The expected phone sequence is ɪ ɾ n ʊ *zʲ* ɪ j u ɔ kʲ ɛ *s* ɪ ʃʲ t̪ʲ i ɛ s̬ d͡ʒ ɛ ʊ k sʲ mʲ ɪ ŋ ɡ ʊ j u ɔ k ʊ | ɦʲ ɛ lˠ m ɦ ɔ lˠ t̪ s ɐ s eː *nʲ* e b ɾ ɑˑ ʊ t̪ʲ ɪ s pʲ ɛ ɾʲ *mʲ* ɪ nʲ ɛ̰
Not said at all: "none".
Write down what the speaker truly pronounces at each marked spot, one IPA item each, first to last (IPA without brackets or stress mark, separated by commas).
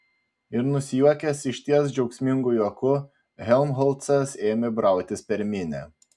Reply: sʲ, s, mʲ, mʲ